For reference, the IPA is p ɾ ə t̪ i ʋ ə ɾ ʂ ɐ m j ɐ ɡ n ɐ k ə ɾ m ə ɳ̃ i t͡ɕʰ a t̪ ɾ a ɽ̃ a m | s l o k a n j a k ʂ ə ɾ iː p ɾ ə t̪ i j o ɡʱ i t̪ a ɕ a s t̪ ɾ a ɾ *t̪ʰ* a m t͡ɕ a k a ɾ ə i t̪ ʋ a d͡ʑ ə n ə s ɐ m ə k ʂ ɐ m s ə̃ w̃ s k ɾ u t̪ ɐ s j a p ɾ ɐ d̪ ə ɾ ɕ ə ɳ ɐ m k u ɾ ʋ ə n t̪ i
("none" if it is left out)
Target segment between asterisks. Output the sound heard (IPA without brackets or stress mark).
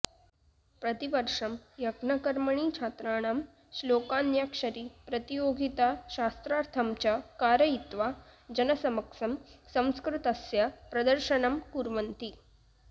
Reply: t̪ʰ